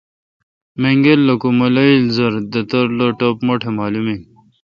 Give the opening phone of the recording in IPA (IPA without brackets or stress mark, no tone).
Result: m